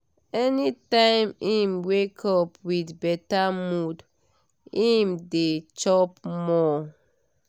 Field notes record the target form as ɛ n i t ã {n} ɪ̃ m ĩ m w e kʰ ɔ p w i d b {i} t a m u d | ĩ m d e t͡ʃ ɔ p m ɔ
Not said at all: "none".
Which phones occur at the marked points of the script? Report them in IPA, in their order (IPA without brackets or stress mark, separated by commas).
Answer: none, ɛ